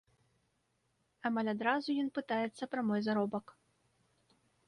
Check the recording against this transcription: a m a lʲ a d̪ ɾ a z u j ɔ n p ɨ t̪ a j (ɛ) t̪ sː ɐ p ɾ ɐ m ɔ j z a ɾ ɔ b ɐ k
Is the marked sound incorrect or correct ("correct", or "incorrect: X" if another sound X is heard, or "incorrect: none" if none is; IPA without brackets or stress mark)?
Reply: correct